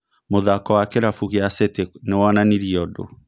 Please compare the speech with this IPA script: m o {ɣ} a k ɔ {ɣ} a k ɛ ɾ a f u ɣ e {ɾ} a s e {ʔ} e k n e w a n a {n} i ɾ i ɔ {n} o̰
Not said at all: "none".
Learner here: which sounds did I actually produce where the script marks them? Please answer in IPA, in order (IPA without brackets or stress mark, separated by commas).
ð, w, none, t, n, d